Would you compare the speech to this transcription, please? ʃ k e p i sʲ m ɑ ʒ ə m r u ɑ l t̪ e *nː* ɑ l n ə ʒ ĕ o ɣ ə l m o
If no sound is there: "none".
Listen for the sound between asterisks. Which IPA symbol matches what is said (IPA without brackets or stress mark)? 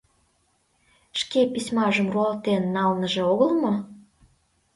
nː